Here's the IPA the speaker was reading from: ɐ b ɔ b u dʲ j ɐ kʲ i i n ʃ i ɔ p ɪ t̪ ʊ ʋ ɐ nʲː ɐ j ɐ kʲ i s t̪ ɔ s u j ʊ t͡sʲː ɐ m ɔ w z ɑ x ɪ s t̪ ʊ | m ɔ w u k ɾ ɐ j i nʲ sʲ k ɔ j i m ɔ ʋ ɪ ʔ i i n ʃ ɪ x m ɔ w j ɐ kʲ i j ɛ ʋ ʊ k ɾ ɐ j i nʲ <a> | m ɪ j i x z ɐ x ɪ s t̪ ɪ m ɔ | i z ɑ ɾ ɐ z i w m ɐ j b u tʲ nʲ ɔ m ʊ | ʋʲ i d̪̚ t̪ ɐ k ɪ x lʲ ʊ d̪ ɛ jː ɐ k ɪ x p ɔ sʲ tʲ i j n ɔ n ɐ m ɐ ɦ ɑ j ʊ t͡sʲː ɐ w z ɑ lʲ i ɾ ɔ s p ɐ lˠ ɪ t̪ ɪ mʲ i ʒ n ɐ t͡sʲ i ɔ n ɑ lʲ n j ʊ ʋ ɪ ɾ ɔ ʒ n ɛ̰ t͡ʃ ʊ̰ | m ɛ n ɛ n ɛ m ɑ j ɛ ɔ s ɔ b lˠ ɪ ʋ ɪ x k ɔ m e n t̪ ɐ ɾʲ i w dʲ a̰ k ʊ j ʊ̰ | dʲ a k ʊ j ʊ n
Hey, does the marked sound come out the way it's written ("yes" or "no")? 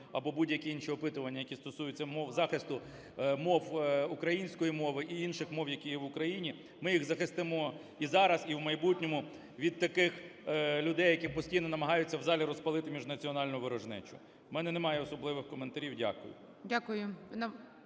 no